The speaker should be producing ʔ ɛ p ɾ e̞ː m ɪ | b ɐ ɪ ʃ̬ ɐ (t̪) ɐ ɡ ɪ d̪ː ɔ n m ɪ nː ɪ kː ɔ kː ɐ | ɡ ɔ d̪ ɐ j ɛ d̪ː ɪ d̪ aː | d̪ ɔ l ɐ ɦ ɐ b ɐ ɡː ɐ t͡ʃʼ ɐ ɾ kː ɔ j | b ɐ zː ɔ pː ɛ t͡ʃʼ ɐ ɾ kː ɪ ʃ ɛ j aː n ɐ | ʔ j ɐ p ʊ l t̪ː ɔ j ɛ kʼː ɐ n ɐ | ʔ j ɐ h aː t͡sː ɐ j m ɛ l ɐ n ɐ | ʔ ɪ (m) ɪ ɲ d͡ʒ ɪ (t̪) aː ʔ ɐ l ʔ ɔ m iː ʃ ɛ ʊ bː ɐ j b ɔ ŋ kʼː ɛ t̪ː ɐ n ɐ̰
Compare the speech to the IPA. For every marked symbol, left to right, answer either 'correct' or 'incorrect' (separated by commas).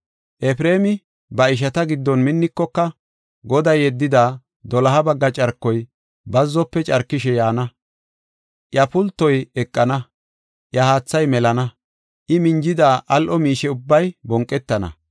correct, correct, incorrect